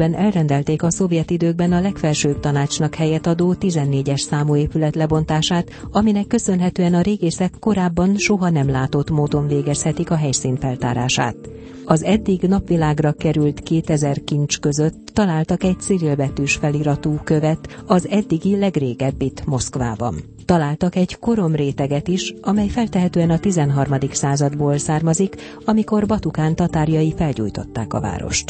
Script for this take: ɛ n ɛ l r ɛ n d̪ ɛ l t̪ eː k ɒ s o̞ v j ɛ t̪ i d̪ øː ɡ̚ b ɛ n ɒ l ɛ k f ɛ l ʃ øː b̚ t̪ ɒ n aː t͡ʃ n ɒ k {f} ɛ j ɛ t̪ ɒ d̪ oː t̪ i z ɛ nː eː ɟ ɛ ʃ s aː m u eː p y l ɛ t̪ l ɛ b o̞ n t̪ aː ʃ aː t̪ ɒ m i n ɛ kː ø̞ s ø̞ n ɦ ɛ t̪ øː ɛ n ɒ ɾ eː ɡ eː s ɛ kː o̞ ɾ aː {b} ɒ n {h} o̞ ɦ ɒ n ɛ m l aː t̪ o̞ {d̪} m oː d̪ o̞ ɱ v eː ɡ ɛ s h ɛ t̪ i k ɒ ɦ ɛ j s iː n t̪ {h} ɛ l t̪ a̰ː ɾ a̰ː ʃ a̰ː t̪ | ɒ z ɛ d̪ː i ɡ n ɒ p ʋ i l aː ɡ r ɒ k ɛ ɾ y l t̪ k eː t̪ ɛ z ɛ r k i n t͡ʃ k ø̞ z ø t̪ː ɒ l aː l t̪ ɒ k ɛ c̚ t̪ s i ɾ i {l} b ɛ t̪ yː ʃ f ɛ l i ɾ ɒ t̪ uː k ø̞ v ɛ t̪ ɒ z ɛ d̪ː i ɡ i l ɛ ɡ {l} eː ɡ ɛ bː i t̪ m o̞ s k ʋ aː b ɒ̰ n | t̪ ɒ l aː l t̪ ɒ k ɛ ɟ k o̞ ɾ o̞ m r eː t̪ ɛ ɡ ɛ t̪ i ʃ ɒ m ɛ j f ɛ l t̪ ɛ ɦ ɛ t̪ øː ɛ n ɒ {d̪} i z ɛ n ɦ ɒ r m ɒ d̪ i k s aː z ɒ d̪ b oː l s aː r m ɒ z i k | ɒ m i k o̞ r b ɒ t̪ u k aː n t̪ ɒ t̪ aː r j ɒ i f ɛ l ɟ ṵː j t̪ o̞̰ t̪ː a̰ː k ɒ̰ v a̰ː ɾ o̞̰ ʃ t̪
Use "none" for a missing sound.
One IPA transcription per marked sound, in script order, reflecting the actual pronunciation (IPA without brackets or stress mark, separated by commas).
h, bː, ʃ, t̪, f, l, r, t̪